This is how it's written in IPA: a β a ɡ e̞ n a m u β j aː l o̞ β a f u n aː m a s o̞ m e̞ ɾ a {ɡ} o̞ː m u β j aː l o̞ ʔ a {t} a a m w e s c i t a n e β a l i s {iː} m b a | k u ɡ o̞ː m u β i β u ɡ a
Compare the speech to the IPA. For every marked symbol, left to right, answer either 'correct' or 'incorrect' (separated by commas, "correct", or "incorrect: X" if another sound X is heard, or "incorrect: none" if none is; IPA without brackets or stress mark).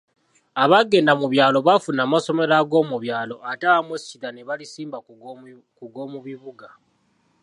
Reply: correct, correct, correct